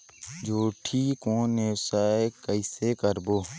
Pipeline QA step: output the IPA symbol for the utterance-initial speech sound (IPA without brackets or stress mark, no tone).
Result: d͡ʒ